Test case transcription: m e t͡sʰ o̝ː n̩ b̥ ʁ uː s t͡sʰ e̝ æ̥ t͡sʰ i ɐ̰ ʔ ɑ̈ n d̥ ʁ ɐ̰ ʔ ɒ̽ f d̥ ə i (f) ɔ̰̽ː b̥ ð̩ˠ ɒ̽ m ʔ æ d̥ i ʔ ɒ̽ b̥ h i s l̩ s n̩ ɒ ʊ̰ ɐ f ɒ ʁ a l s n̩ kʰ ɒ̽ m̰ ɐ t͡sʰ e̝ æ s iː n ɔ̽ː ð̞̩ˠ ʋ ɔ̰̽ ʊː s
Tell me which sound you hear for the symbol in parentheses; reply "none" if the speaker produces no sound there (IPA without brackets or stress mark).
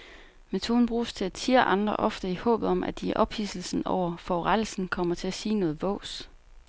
h